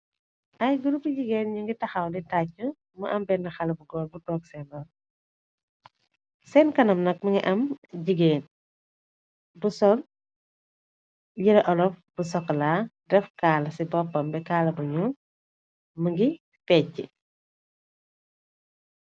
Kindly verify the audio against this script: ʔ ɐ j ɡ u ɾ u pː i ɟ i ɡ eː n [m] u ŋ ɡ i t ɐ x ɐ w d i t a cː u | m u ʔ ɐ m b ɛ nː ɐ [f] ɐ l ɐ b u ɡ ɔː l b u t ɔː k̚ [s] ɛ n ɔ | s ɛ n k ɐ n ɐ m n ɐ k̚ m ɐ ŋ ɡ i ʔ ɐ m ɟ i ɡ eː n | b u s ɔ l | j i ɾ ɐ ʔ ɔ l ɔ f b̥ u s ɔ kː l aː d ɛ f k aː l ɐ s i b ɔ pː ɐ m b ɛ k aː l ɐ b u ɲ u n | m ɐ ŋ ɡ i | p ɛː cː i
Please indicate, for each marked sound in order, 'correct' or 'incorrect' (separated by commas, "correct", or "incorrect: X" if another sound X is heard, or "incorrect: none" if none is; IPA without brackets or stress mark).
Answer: incorrect: ɲ, incorrect: x, correct